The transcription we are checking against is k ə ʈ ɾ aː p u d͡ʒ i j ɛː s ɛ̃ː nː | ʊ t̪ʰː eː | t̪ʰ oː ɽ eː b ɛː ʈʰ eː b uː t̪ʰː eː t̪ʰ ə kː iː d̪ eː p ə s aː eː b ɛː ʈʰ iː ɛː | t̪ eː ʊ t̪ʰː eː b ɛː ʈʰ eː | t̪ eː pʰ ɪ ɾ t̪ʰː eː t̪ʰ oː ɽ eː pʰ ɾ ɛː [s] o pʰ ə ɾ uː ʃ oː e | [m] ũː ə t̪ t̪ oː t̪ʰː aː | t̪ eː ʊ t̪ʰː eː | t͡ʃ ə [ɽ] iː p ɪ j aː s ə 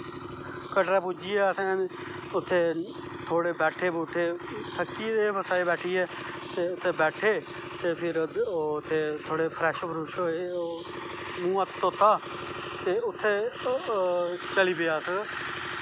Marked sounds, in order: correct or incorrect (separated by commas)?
incorrect, correct, incorrect